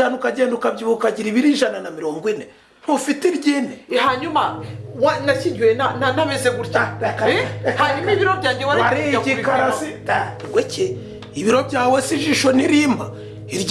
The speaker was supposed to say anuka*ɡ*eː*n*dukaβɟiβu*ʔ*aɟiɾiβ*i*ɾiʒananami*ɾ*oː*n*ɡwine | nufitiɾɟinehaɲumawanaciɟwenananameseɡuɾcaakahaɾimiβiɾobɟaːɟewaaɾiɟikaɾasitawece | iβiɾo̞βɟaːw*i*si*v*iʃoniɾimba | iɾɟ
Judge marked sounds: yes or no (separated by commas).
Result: no, yes, no, yes, yes, no, no, no